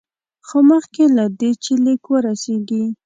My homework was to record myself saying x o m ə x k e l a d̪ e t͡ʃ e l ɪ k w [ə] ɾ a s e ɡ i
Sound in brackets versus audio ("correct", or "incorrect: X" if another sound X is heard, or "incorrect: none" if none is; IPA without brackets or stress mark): correct